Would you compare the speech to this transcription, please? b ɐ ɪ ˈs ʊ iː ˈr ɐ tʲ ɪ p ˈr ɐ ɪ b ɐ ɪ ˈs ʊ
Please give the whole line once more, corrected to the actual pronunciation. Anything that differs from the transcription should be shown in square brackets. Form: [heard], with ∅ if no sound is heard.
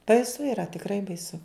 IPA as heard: b ɐ ɪ ˈs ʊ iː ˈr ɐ tʲ ɪ [k] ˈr ɐ ɪ b ɐ ɪ ˈs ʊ